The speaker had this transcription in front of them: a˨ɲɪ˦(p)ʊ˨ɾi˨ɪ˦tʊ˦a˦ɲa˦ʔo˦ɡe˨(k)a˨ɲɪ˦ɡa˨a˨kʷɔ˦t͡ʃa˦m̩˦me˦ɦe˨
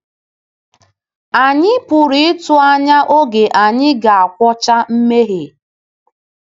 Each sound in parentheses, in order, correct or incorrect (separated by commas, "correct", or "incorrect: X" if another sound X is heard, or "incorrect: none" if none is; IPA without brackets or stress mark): correct, incorrect: ʔ